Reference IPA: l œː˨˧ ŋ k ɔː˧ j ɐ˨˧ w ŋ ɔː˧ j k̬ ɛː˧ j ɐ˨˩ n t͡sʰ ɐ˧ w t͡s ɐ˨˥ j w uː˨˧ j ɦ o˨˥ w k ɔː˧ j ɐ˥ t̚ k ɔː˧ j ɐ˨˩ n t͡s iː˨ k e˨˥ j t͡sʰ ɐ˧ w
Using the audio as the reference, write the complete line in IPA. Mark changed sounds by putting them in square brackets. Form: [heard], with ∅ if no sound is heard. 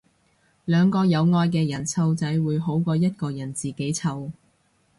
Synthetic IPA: l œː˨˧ ŋ k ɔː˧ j ɐ˨˧ w ŋ ɔː˧ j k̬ ɛː˧ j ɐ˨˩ n t͡sʰ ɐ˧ w t͡s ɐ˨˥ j w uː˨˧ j ɦ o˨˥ w k ɔː˧ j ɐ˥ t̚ k ɔː˧ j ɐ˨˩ n t͡s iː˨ k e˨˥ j t͡sʰ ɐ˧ w